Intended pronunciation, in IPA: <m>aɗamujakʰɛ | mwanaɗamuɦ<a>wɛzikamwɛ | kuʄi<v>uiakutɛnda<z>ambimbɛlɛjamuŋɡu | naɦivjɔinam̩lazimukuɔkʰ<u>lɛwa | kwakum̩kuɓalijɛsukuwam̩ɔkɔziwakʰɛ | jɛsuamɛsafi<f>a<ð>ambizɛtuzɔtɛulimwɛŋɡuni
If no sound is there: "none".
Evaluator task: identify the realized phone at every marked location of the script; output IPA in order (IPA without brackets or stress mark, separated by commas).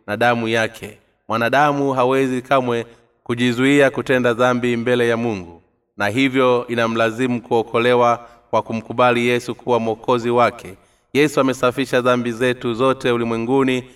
n, a, z, ð, ɔ, ʃ, ð